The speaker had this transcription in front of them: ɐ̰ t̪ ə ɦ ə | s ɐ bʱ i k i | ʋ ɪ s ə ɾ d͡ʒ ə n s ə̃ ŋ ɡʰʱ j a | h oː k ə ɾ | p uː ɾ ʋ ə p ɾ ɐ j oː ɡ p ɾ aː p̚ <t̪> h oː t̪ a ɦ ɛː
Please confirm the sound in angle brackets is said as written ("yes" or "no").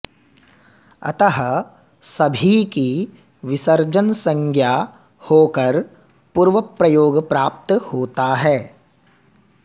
yes